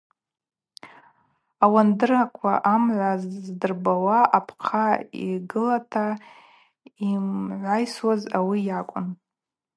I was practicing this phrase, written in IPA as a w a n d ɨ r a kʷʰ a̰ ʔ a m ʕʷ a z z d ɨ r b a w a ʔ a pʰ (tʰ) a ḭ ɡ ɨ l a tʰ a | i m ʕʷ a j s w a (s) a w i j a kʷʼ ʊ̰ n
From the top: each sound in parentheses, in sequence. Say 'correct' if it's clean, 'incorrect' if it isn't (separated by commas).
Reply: incorrect, incorrect